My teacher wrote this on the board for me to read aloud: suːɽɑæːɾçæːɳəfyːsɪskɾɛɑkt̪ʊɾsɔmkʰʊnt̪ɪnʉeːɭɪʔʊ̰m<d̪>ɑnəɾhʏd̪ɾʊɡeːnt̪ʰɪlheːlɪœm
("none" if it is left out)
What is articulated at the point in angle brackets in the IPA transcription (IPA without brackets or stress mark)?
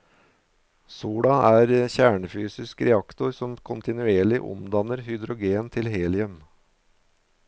d̪